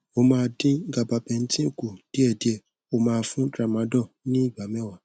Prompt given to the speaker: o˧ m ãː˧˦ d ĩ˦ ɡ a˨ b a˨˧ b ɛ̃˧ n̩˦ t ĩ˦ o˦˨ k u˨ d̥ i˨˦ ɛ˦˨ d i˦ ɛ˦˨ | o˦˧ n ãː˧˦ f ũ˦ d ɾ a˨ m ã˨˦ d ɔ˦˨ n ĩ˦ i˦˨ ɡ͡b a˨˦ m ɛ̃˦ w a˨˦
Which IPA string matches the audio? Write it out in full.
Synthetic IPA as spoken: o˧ m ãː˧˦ d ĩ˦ ɡ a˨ b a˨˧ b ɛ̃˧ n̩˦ t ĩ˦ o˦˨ k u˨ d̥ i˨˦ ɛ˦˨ d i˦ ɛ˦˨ | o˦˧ m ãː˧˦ f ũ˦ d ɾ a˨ m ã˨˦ d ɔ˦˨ n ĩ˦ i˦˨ ɡ͡b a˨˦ m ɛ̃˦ w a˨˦